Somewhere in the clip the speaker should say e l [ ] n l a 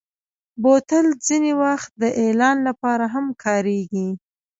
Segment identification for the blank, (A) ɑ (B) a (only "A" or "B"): A